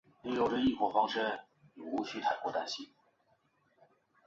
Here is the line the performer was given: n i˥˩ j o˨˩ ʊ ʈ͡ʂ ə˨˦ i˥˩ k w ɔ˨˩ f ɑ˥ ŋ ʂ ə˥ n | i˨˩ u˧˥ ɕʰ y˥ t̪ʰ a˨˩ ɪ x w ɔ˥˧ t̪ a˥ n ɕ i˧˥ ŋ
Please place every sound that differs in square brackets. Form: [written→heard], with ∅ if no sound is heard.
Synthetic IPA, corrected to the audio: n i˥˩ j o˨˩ ʊ ʈ͡ʂ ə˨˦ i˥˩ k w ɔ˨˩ f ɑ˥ ŋ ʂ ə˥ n | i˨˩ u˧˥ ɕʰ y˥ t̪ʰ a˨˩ ɪ [x→k] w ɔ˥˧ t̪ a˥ n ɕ [i˧˥→i˥˩] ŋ